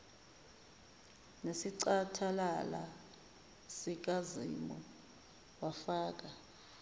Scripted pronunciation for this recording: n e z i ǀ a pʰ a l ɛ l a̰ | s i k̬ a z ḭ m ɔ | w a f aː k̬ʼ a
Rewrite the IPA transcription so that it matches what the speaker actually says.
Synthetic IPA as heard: n e s i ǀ a tʰ a l a l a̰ | s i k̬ a z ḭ m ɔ | w a f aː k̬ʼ a